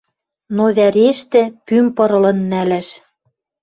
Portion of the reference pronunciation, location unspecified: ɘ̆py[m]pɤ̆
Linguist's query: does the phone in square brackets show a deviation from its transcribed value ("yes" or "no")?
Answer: no